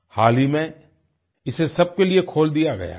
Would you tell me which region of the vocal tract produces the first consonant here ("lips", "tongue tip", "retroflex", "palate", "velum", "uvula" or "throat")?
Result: throat